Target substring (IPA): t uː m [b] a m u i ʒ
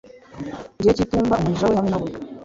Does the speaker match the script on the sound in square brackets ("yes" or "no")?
yes